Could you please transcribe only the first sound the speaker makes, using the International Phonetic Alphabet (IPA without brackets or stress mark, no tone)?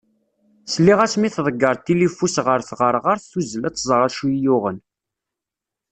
s